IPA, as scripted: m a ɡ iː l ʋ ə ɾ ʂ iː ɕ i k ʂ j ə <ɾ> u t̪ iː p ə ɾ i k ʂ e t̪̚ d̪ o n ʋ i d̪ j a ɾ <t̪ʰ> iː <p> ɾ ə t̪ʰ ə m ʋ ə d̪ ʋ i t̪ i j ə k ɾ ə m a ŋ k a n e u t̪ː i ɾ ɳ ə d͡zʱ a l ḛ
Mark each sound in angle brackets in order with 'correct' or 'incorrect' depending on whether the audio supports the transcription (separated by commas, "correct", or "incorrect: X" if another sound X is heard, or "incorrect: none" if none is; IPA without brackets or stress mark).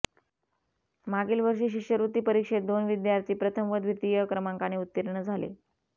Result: correct, incorrect: t̪, correct